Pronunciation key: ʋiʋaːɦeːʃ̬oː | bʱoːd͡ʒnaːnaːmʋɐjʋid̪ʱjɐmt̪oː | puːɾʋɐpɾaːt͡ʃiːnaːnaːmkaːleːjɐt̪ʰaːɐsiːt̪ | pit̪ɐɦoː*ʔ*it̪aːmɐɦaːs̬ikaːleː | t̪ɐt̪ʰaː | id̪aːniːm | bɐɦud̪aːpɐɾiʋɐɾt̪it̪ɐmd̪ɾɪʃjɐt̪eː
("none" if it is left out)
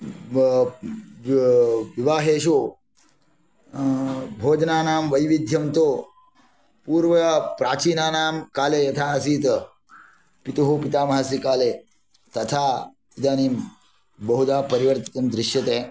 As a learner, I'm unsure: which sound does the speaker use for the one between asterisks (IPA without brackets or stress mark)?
p